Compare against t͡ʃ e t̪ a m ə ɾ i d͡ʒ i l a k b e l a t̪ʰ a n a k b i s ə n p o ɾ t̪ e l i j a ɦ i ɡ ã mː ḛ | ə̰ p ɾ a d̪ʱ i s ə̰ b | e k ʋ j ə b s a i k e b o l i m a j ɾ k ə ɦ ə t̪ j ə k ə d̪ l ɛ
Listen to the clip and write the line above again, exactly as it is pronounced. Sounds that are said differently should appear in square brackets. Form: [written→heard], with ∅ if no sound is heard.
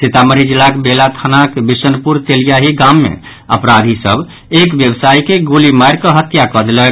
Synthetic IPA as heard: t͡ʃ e t̪ a m ə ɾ i d͡ʒ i l a k b e l a t̪ʰ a n a k b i s ə n p [o→u] ɾ t̪ e l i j a ɦ i ɡ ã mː ḛ | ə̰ p ɾ a d̪ʱ i s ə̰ b | e k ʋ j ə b s a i k e [b→ɡ] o l i m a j ɾ k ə ɦ ə t̪ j [ə→a] k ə d̪ l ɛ